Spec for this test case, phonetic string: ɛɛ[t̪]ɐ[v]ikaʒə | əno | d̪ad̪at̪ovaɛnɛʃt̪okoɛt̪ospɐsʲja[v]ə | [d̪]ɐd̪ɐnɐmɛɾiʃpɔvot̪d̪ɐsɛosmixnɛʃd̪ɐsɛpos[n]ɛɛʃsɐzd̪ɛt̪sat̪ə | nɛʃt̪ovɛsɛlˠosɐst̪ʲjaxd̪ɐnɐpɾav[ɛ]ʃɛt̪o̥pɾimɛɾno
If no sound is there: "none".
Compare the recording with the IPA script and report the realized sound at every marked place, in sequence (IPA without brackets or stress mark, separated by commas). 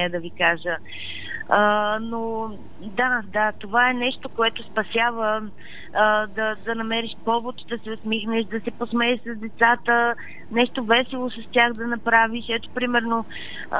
d̪, v, v, d̪, m, i